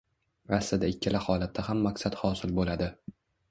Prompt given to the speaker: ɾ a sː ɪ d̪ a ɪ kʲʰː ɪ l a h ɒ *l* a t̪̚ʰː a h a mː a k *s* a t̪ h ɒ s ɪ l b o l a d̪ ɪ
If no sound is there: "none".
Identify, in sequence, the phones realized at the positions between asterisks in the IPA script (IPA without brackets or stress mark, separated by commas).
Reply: l, s